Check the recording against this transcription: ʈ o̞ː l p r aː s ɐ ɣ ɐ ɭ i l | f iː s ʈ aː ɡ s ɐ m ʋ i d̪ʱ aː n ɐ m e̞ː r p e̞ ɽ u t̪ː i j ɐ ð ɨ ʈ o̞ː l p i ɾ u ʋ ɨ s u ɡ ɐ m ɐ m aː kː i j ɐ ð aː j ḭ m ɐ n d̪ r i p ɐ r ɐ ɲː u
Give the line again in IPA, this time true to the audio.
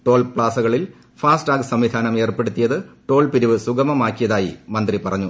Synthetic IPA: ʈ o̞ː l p ɭ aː s ɐ ɣ ɐ ɭ i l | f aː s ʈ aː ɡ s ɐ m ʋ i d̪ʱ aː n ɐ m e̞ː r p e̞ ɽ u t̪ː i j ɐ ð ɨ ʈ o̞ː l p i ɾ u ʋ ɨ s u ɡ ɐ m ɐ m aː kː i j ɐ ð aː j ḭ m ɐ n d̪ r i p ɐ r ɐ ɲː u